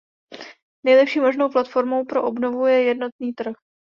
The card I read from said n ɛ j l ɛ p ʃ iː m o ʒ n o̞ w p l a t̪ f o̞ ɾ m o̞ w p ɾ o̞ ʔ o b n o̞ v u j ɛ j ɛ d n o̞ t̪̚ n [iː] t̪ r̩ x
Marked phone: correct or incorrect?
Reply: correct